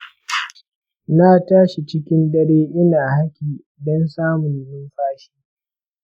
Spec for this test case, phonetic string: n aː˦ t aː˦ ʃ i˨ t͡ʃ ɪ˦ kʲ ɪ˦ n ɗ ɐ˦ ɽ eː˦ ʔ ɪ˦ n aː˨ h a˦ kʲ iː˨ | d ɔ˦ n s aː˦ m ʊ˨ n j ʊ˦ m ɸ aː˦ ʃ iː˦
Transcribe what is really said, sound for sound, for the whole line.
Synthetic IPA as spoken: n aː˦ t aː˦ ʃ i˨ t͡ʃ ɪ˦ kʲ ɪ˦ n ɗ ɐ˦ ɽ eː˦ ʔ ɪ˦ n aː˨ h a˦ kʲ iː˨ | d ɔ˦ n s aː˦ m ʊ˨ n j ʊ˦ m ɸ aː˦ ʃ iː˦